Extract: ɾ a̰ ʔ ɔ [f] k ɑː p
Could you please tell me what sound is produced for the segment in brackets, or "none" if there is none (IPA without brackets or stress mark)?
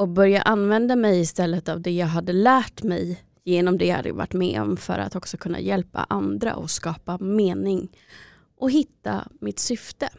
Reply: s